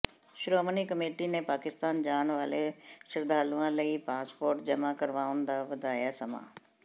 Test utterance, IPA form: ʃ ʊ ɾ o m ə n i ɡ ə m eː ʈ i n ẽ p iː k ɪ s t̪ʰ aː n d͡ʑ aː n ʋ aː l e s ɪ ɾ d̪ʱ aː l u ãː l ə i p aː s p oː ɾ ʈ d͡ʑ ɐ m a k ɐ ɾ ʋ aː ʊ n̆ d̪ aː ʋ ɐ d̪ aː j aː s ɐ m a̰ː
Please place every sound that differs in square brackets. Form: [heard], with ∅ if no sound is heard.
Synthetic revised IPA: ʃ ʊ ɾ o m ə n i [k] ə m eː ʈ i n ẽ p [aː] k ɪ s [t̪] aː n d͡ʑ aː n ʋ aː l e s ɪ ɾ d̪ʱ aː l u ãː l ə i p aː s p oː ɾ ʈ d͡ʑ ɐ m a k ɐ ɾ ʋ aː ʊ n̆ d̪ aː ʋ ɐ d̪ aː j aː s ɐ m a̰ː